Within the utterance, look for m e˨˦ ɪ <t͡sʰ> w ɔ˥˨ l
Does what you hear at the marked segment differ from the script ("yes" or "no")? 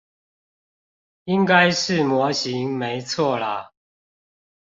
no